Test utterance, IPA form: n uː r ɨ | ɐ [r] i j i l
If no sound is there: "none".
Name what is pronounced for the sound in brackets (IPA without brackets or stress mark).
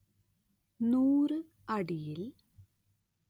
ɽ